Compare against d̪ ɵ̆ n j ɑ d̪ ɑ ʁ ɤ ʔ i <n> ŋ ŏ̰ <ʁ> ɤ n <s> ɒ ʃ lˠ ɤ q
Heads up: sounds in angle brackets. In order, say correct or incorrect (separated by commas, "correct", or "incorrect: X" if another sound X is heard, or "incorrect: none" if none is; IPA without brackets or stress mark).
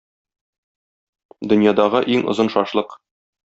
incorrect: none, incorrect: z, incorrect: ʃ